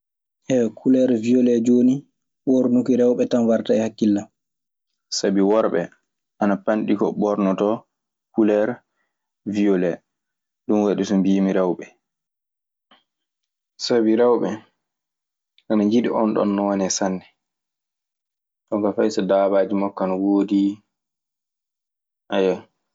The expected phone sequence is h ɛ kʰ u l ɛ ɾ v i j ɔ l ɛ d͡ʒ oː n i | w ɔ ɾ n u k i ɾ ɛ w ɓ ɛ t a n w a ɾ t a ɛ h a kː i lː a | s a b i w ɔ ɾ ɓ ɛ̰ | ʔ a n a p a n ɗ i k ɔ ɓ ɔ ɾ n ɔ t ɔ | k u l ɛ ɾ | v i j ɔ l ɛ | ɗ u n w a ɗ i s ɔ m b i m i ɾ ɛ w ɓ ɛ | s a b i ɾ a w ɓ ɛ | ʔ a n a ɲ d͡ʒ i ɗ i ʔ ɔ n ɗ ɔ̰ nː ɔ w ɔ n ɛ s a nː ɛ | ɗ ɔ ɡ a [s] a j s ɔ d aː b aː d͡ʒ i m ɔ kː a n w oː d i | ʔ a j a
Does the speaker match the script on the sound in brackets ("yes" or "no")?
no